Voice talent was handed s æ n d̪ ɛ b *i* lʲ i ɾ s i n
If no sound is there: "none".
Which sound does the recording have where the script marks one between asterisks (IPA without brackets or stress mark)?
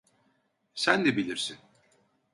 i